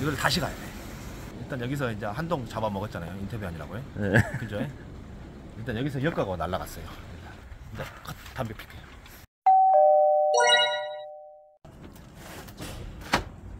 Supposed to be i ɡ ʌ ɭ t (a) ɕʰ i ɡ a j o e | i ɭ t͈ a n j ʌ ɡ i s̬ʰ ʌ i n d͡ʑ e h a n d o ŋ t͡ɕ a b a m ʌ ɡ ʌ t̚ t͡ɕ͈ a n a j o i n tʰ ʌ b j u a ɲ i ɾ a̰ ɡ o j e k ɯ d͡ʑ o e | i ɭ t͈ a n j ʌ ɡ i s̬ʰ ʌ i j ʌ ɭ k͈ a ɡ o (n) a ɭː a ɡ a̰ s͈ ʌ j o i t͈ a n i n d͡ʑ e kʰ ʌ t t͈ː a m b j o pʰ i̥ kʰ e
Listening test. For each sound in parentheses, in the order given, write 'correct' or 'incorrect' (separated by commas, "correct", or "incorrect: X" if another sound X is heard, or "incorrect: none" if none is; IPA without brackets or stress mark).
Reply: correct, correct